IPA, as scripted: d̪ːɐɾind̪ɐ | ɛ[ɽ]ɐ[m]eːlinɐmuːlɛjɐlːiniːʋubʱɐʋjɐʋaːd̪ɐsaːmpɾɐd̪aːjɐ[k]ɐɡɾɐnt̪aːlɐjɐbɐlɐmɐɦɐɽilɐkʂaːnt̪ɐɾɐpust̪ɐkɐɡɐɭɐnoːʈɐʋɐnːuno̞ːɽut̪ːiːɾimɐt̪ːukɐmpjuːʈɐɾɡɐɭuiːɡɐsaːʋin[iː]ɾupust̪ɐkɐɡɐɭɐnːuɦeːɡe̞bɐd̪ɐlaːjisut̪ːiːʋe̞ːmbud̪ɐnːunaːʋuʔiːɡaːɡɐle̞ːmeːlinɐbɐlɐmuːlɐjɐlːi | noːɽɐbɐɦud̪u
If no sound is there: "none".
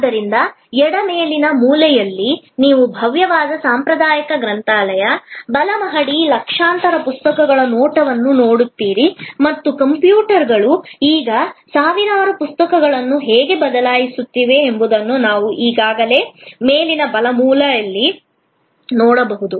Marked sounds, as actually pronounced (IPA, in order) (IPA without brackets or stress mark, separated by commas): ɽ, m, k, aː